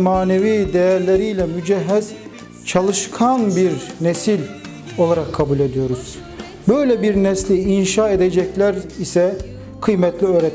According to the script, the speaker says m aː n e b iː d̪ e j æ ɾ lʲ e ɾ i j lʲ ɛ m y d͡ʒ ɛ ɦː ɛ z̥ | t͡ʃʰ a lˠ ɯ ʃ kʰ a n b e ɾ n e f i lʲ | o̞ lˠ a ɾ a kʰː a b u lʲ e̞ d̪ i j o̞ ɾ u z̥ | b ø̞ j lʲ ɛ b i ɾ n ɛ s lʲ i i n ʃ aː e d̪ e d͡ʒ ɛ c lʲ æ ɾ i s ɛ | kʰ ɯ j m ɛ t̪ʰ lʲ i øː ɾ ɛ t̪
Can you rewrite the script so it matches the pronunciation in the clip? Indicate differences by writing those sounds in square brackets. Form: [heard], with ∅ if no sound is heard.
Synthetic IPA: m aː n e [v] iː d̪ e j æ ɾ lʲ e ɾ i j lʲ ɛ m y d͡ʒ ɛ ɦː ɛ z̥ | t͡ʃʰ a lˠ ɯ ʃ kʰ a n b [i] ɾ n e [s] i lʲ | o̞ lˠ a ɾ a kʰː a b u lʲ e̞ d̪ i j o̞ ɾ u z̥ | b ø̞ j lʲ ɛ b i ɾ n ɛ s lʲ i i n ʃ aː e d̪ e d͡ʒ ɛ c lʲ æ ɾ i s ɛ | kʰ ɯ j m ɛ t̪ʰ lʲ i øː ɾ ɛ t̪

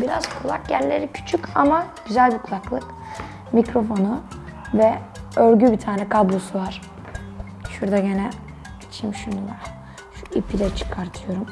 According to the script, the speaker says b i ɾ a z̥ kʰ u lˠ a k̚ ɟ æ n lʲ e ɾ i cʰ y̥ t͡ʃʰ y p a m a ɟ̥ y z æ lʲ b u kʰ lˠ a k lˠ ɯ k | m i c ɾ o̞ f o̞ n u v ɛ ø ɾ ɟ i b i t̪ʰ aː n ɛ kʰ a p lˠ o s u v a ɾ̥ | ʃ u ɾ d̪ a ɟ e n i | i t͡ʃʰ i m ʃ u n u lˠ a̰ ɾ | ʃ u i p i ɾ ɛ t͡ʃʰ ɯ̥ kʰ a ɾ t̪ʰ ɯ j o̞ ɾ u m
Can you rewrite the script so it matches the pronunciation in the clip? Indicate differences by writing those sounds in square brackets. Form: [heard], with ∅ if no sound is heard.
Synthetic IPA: b i ɾ a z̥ kʰ u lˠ a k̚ ɟ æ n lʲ e ɾ i cʰ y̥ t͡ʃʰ y [c] a m a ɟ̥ y z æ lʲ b u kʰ lˠ a k lˠ ɯ k | m i c ɾ o̞ f o̞ n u v ɛ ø ɾ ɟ [y] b i t̪ʰ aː n ɛ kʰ a [b] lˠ o s u v a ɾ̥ | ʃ u ɾ d̪ a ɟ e n [ɛ] | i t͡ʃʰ i m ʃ u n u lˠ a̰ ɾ | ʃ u i p i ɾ ɛ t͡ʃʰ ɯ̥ kʰ a ɾ t̪ʰ ɯ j o̞ ɾ u m

